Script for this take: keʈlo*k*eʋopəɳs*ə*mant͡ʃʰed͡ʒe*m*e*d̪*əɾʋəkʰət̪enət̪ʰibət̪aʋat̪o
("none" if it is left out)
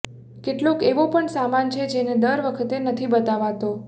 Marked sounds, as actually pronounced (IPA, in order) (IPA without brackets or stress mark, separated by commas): k, a, n, d̪